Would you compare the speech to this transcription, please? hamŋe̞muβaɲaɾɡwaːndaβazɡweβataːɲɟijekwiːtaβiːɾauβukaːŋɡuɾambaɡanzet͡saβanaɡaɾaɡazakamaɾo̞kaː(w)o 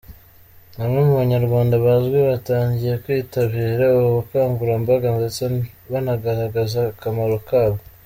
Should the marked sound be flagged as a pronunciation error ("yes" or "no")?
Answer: yes